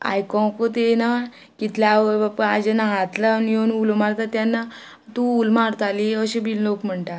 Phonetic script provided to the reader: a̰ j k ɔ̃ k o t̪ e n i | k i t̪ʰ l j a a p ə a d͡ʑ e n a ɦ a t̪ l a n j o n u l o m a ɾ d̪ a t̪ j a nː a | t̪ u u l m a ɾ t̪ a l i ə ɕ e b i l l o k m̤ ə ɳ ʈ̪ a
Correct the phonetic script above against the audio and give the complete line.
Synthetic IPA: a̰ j k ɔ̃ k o t̪ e n a | k i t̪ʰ l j a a p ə a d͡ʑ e n a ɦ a t̪ l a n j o n u l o m a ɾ t̪ a t̪ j a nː a | t̪ u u l m a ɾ t̪ a l i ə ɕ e b i l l o k m̤ ə ɳ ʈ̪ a